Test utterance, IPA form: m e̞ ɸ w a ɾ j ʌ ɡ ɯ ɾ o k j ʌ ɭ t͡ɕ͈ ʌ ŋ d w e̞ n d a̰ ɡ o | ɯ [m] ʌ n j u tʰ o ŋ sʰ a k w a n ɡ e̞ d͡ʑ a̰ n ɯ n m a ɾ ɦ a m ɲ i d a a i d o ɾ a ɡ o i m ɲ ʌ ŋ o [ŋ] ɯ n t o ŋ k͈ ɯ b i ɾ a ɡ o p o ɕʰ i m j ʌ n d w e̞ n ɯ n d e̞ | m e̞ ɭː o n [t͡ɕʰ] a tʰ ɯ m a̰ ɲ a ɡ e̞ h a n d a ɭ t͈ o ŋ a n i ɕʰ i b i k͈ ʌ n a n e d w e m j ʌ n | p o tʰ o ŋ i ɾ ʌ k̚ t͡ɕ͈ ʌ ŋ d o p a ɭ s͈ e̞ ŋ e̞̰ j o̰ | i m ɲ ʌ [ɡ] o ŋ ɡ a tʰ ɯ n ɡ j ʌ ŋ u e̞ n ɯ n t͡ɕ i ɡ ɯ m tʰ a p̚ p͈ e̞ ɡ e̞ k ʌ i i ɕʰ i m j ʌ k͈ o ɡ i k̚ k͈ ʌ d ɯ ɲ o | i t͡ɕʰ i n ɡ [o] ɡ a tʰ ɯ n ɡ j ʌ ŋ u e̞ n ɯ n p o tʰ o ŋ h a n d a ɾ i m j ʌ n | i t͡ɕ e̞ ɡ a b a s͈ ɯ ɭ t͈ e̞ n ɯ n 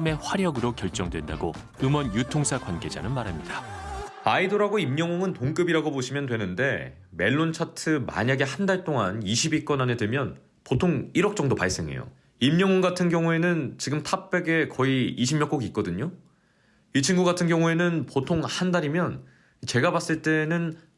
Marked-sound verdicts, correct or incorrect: correct, correct, correct, incorrect: ŋ, incorrect: u

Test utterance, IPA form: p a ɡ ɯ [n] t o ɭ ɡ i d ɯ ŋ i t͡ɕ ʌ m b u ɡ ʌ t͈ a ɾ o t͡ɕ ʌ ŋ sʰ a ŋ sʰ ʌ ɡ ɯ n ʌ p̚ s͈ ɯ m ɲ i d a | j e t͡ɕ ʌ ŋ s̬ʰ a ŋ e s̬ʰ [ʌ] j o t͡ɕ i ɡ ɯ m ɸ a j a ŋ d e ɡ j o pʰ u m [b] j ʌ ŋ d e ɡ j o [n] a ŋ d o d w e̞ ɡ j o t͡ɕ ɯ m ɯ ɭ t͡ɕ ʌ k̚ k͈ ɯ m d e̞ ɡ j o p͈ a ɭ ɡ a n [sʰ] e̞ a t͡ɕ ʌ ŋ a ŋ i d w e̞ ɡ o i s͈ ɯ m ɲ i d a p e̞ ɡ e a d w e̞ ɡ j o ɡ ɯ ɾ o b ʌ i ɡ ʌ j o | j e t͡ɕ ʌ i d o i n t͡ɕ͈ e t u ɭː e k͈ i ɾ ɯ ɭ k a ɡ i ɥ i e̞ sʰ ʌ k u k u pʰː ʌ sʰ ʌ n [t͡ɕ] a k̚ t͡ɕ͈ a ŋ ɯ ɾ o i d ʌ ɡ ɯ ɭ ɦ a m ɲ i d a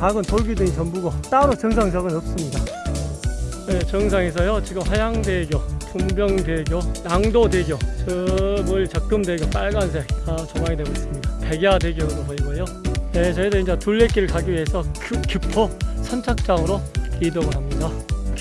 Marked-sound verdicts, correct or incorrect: correct, correct, correct, correct, correct, incorrect: t͡ɕʰ

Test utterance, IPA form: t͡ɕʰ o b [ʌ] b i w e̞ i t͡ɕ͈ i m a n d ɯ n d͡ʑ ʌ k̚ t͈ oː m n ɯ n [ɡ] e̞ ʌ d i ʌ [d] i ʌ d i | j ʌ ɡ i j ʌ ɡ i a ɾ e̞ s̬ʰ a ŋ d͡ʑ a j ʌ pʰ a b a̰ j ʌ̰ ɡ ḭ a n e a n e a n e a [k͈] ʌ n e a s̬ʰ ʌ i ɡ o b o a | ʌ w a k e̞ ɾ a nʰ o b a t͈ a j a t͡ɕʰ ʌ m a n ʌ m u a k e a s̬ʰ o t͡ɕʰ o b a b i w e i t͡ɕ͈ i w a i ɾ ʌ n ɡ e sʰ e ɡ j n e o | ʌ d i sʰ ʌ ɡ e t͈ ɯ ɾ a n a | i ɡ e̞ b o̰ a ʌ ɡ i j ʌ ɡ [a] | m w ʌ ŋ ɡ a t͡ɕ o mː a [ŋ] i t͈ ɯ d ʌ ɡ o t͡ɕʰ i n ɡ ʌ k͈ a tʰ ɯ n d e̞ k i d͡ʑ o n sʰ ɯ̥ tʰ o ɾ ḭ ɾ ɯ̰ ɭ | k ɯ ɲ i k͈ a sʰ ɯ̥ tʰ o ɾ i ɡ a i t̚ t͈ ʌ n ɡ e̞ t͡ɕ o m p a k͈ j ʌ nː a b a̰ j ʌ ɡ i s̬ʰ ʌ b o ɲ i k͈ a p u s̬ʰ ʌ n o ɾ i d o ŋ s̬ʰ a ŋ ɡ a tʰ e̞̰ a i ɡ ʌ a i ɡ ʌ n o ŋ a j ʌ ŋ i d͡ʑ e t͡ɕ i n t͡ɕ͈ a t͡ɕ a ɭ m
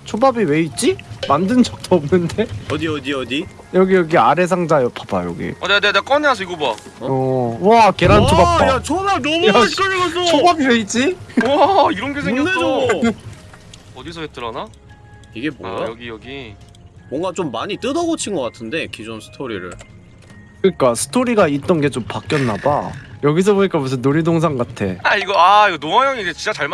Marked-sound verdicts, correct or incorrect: incorrect: a, incorrect: d, correct, correct, incorrect: i, incorrect: ɲ

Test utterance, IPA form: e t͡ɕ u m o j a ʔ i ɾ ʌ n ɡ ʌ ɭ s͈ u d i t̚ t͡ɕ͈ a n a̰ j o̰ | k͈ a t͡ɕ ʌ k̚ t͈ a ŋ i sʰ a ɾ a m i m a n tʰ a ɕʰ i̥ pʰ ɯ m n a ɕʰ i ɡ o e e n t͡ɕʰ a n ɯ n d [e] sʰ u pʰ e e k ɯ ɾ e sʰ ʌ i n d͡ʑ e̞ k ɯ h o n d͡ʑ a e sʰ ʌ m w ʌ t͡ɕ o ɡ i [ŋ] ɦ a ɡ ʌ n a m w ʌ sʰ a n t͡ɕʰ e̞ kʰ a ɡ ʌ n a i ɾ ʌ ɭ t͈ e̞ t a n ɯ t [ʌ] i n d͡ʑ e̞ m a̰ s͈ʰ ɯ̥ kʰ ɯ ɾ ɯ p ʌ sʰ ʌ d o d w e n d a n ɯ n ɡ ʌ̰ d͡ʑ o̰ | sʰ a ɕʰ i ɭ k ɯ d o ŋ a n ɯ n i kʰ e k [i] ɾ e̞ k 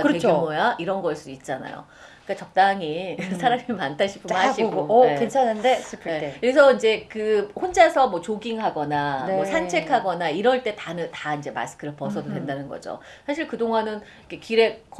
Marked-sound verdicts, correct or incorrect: correct, correct, incorrect: a, correct

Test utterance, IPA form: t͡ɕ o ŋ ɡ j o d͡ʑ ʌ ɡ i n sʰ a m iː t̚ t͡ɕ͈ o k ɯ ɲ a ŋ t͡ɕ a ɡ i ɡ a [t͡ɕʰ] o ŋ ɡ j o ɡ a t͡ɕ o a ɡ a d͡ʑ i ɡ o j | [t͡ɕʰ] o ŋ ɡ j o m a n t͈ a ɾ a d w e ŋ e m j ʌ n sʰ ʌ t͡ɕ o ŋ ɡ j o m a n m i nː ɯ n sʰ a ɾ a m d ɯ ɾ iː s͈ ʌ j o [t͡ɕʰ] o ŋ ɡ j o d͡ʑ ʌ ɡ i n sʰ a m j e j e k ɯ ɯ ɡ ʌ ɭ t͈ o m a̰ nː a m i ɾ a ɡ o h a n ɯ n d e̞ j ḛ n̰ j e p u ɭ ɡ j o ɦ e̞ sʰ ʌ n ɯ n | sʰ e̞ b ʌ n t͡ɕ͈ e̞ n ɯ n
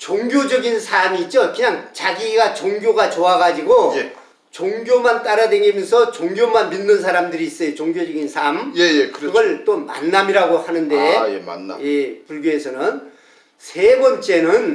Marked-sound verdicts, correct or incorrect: incorrect: t͡ɕ, incorrect: t͡ɕ, incorrect: t͡ɕ

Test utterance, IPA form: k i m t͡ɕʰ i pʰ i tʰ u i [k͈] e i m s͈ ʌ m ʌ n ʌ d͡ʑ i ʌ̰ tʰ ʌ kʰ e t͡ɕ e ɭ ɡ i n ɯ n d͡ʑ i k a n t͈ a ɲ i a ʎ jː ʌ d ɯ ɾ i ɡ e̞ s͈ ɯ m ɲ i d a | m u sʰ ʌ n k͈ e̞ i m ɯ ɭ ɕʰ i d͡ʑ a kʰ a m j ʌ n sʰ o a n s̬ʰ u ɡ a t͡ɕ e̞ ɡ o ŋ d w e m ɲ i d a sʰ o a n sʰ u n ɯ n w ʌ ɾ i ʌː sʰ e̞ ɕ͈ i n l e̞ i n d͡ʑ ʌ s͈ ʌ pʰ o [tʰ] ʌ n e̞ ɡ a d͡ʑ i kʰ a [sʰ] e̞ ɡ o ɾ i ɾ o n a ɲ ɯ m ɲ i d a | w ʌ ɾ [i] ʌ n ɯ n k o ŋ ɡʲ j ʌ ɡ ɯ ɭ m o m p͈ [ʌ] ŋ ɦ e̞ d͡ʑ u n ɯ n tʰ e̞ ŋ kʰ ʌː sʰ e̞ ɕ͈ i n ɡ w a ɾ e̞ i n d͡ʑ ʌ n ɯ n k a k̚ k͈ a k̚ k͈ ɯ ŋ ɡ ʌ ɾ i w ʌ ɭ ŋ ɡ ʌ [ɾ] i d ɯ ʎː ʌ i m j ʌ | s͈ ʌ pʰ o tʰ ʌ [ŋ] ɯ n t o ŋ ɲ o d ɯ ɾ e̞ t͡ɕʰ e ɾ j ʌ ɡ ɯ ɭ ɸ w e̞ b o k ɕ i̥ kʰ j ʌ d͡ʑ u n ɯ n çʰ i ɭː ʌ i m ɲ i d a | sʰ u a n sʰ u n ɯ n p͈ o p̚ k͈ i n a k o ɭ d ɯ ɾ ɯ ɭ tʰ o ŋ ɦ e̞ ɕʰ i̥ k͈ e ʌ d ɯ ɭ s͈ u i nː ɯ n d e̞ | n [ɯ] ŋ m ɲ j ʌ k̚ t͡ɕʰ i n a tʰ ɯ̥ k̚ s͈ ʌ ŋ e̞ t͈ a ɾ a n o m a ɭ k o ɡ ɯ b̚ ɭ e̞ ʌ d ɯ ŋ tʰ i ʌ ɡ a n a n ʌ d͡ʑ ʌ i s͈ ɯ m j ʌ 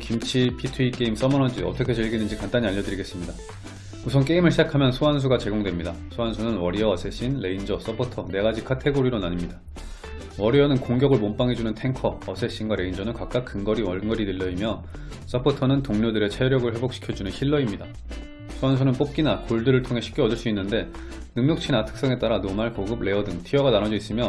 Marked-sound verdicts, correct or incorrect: correct, correct, incorrect: tʰ, correct, incorrect: a, correct, incorrect: n, correct

